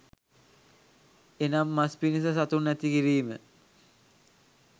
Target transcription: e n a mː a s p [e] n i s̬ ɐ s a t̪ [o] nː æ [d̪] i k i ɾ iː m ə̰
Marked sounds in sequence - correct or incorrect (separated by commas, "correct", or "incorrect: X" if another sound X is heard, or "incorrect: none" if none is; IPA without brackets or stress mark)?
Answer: incorrect: i, incorrect: u, incorrect: t̪